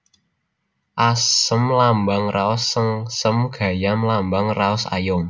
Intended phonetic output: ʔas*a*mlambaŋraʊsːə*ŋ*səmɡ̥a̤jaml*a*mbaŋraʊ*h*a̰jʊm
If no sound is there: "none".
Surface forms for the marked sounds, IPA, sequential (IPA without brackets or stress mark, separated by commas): ə, ŋ, a, s